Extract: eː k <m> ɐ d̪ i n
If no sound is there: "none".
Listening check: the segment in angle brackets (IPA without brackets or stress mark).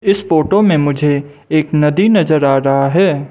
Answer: n